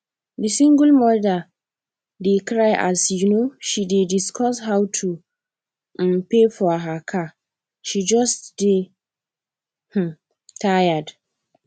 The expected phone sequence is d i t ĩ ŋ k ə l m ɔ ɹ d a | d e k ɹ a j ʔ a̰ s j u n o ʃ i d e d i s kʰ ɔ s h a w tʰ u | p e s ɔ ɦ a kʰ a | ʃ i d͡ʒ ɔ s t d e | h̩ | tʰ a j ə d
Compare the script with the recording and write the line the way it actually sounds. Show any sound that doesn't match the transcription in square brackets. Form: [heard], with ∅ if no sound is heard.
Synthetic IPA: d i [s] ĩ ŋ [ɡ] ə l m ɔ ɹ d a | d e k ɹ a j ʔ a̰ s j u n o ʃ i d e d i s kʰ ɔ s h a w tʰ u | p e [f] ɔ ɦ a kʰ a | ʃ i d͡ʒ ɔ s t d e | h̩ | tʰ a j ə d